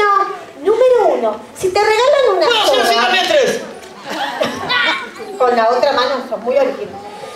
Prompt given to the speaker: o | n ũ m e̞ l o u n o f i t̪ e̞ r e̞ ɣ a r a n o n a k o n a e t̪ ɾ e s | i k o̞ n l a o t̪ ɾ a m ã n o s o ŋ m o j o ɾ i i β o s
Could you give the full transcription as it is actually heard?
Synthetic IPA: o | n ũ m e̞ ɾ o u n o s i t̪ e̞ r e̞ ɣ a l a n u n a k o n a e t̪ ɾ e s | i k o̞ n l a o t̪ ɾ a m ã n o s o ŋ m u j o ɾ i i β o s

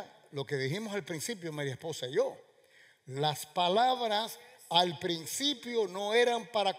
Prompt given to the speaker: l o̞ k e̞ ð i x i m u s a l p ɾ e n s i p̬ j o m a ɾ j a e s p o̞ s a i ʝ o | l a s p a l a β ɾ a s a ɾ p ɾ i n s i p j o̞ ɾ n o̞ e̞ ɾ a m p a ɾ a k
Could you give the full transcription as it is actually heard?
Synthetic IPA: l o̞ k e̞ ð i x i m o s a l p ɾ i n s i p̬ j o m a ɾ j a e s p o̞ s a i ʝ o | l a s p a l a β ɾ a s a l p ɾ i n s i p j o̞ n o̞ e̞ ɾ a m p a ɾ a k

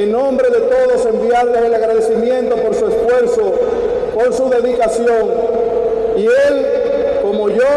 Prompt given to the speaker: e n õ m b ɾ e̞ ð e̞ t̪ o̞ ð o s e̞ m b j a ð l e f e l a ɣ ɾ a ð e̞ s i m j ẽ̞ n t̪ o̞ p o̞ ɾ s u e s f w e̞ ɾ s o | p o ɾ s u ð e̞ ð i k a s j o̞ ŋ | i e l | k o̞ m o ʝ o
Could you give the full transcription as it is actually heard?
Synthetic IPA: e n õ m b ɾ e̞ ð e̞ t̪ o̞ ð o s e̞ m b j a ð l e s e l a ɣ ɾ a ð e̞ s i m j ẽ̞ n t̪ o̞ p o̞ ɾ s u e s f w e̞ ɾ s o | p o ɾ s u ð e̞ ð i k a s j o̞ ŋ | i e l | k o̞ m o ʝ o

